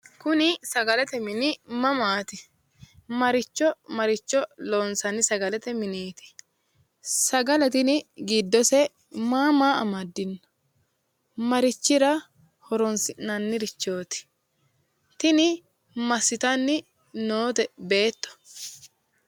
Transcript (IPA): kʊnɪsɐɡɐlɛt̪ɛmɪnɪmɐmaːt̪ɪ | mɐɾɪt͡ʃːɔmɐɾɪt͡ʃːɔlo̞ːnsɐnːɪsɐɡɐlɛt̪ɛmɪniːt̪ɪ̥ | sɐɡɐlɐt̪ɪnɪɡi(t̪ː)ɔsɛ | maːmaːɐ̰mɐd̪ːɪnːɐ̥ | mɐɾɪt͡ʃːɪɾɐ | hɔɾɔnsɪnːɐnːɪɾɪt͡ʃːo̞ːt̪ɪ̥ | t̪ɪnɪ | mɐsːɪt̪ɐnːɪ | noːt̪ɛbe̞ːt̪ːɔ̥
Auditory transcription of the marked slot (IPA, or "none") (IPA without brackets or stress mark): d̪ː